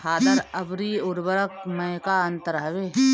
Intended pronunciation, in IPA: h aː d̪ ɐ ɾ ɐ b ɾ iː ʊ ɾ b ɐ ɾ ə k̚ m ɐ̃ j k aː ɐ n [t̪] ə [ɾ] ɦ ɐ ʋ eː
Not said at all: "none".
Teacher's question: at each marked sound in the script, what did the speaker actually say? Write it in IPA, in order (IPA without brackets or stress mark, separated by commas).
t̪, ɾ